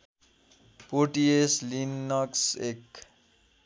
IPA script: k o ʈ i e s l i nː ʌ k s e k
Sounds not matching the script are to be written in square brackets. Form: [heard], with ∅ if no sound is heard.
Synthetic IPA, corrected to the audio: [p] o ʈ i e s l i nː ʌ k s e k